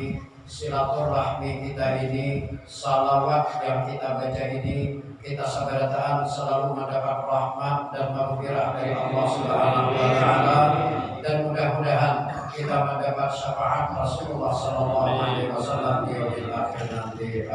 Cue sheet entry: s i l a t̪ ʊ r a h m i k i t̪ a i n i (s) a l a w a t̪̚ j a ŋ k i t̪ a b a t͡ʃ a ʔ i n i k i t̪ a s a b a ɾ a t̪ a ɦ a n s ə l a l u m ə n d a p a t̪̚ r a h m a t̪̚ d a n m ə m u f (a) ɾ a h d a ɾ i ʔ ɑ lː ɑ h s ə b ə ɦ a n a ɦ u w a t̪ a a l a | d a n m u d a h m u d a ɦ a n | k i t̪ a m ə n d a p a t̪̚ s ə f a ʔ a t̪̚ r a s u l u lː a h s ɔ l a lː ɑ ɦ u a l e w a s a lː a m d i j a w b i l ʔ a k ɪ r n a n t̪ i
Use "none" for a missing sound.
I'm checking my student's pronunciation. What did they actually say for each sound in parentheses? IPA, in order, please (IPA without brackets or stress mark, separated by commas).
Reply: s, i